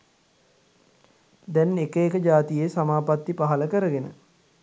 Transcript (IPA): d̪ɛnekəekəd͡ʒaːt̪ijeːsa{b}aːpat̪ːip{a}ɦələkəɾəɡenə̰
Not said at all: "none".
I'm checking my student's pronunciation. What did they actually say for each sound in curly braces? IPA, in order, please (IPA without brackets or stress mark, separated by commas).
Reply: m, a